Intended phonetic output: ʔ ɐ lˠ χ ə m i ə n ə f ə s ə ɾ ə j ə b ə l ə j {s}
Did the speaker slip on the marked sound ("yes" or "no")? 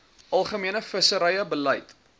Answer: yes